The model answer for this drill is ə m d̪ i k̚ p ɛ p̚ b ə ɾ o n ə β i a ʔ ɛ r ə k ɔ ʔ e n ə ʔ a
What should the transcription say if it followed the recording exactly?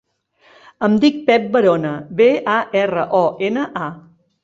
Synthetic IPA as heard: ə m d̪ i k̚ p ɛ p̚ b ə ɾ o n ə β e a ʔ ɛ r ə ʔ ɔ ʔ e n ə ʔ a